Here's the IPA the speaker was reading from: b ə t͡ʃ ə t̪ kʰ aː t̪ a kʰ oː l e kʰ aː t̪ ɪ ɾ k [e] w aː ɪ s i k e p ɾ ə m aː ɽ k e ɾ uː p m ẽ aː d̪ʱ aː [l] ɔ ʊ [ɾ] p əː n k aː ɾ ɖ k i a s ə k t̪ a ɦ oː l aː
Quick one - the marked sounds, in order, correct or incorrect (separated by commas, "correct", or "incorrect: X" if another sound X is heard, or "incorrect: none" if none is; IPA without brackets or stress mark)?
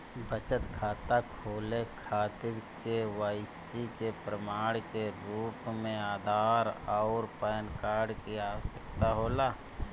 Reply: correct, incorrect: ɾ, correct